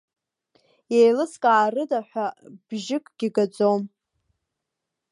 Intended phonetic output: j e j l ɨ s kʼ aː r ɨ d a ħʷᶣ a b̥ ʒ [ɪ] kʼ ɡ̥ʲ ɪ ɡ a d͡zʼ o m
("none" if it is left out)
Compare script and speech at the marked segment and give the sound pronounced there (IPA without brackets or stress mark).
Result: ɪ